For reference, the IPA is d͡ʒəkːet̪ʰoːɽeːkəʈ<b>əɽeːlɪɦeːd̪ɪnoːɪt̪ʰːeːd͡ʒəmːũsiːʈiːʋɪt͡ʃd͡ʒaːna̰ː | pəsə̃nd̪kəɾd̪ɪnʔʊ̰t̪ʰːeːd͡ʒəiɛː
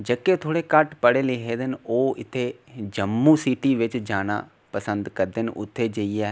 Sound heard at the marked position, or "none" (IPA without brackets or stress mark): p